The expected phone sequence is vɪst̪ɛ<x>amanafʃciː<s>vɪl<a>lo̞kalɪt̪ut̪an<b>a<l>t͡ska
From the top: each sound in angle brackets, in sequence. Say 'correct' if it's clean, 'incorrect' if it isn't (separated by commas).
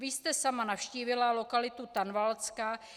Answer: incorrect, incorrect, correct, incorrect, correct